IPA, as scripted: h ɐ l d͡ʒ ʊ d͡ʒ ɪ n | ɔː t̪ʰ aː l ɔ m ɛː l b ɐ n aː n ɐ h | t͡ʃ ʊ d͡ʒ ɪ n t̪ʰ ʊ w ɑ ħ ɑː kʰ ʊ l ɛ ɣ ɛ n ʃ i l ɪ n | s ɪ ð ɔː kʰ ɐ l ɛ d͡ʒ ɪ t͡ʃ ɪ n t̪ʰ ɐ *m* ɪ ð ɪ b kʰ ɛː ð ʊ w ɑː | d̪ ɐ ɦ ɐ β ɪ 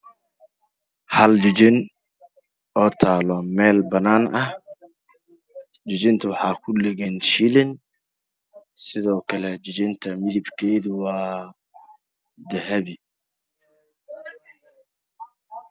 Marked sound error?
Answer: no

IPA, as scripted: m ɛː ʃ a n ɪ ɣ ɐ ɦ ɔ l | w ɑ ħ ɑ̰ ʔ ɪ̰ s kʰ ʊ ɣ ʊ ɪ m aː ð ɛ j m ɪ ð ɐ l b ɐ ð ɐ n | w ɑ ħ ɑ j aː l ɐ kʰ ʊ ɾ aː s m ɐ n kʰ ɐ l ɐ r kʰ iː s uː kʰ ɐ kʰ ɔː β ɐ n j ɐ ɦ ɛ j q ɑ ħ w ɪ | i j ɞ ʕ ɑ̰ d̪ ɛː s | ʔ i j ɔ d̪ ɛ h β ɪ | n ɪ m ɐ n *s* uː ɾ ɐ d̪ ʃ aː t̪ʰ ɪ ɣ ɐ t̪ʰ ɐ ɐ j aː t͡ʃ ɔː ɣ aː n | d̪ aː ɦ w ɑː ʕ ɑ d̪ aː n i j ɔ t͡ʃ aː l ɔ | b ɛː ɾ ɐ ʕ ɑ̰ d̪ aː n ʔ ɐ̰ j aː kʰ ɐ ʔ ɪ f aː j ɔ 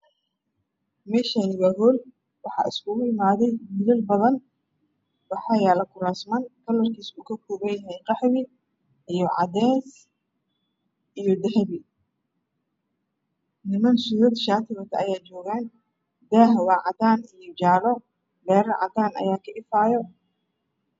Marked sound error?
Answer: no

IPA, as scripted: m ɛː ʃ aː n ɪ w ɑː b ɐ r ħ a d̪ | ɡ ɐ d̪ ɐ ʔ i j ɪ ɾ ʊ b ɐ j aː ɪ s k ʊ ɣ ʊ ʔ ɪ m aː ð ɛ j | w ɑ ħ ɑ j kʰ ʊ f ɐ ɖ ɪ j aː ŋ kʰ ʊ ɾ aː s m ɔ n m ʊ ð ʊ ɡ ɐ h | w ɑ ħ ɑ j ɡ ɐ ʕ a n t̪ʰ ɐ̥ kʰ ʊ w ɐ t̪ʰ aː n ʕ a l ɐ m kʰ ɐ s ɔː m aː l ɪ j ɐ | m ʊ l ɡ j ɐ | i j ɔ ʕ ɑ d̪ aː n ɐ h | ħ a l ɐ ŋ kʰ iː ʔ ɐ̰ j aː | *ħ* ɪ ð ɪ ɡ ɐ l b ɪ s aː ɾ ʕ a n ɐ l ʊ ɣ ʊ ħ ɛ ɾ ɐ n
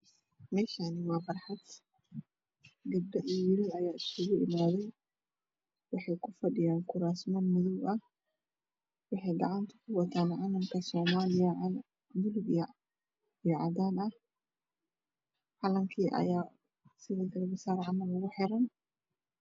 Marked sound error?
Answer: yes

